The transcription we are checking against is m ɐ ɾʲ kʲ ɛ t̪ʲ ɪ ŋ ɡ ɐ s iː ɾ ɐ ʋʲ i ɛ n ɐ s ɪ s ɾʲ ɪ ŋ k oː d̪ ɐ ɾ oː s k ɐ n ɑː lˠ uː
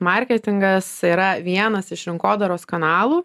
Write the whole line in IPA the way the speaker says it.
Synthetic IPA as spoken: m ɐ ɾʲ kʲ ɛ t̪ʲ ɪ ŋ ɡ ɐ s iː ɾ ɐ ʋʲ i ɛ n ɐ s ɪ ʃ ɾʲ ɪ ŋ k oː d̪ ɐ ɾ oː s k ɐ n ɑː lˠ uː